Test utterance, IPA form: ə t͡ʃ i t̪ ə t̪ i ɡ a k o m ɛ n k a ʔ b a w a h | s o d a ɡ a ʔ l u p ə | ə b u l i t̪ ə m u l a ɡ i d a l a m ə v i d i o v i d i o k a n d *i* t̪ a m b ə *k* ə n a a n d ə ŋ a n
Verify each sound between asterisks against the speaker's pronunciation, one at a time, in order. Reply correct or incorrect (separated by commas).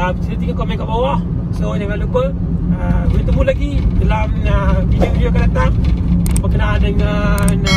incorrect, correct